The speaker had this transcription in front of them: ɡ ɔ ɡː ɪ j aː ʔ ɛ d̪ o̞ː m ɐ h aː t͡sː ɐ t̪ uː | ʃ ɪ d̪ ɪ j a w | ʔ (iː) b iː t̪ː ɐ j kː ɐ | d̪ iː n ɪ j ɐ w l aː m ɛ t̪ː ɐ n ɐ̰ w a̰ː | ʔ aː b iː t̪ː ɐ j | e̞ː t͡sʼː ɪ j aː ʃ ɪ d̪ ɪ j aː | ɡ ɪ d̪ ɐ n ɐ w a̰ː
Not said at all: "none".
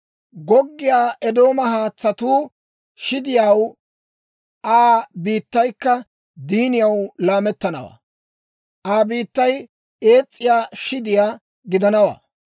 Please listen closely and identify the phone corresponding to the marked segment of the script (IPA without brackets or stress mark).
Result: aː